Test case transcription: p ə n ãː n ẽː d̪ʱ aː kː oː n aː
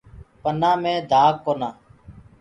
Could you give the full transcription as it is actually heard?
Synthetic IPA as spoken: p ə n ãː m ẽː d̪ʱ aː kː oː n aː